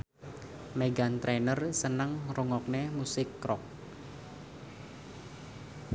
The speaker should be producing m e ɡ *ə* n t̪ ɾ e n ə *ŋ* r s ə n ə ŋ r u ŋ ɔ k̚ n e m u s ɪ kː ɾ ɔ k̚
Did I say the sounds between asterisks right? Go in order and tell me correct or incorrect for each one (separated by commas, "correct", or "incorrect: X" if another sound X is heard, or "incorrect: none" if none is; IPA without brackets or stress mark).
incorrect: a, incorrect: none